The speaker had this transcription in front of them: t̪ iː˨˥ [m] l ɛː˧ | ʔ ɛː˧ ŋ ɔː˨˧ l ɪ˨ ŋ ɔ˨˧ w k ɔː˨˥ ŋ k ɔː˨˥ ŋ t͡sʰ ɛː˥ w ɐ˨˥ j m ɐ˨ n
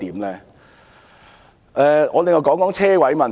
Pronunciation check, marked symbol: correct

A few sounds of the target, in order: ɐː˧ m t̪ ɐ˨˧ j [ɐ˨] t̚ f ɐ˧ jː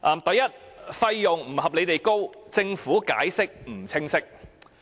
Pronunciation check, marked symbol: incorrect: ɐ˥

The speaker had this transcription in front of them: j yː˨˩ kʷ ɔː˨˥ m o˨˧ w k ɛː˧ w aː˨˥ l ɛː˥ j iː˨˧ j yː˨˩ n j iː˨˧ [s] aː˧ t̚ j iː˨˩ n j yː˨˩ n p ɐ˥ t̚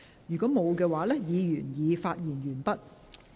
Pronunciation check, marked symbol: incorrect: f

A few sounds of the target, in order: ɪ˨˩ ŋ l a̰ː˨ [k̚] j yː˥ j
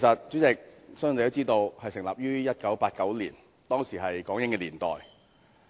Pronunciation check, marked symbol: incorrect: p̚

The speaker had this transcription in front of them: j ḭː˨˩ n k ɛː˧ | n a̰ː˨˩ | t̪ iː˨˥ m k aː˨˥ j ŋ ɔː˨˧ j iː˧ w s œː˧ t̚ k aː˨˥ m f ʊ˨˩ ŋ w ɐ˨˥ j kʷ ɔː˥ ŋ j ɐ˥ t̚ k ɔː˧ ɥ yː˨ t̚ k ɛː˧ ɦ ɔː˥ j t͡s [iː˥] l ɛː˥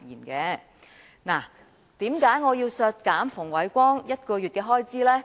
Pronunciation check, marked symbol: correct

